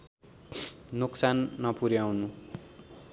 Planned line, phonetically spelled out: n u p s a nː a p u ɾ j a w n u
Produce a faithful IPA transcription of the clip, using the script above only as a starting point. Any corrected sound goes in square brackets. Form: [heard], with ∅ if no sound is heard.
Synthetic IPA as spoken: n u [k] s a nː [ʌ] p u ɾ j a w n u